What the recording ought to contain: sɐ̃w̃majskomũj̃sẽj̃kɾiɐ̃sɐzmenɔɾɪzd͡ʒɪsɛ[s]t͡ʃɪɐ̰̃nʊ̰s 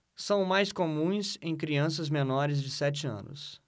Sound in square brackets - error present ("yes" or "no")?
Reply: yes